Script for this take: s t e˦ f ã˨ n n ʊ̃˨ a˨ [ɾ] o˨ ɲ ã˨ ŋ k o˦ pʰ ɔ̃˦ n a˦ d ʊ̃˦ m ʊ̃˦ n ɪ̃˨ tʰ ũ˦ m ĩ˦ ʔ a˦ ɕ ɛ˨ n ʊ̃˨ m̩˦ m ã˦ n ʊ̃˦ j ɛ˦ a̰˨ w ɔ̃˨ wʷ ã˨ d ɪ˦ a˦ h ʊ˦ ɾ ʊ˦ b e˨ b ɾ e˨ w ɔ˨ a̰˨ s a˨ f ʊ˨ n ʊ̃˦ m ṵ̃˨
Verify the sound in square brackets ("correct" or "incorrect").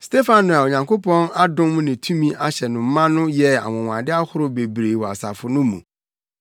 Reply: incorrect